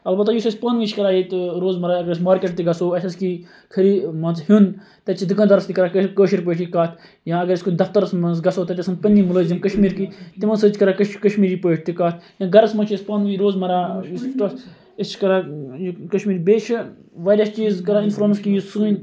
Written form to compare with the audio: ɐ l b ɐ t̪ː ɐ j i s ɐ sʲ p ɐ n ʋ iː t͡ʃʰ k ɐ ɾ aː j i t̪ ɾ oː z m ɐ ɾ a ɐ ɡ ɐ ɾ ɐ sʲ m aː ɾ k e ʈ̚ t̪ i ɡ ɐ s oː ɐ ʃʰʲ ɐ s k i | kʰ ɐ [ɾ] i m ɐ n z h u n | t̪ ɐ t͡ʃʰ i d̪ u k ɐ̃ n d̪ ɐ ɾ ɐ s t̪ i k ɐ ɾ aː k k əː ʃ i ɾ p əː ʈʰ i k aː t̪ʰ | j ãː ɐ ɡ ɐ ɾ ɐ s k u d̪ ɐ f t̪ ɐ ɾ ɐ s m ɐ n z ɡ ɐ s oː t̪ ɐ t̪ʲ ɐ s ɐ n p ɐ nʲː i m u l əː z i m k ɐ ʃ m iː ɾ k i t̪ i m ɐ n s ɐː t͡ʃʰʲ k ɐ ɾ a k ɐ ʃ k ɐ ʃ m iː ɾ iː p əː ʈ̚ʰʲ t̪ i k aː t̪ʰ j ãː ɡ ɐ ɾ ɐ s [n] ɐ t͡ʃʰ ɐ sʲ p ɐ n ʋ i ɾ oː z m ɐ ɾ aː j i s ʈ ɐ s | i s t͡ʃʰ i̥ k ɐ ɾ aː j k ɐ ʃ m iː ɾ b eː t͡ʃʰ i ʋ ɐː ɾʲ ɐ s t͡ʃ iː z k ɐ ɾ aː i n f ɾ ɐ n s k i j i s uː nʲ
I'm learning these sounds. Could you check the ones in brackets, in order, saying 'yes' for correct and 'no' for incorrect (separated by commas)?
yes, no